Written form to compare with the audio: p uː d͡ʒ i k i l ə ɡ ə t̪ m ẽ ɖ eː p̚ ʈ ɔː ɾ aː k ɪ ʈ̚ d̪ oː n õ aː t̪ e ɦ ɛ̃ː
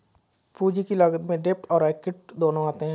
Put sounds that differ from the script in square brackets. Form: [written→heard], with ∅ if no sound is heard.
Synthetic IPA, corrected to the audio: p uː d͡ʒ i k i l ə ɡ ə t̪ m ẽ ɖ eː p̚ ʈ ɔː ɾ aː k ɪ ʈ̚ d̪ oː n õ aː t̪ e ɦ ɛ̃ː